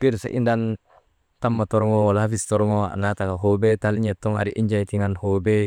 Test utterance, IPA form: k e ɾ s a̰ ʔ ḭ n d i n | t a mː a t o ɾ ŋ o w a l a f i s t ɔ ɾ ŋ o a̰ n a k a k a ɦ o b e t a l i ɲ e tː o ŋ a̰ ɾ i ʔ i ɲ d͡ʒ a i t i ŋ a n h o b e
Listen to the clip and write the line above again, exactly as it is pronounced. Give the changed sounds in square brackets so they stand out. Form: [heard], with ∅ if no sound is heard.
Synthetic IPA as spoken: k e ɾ s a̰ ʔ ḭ n d [a] n | t a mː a t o ɾ ŋ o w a l a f i s t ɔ ɾ ŋ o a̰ n a [t] a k a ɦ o b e t a l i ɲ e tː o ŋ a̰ ɾ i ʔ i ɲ d͡ʒ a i t i ŋ a n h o b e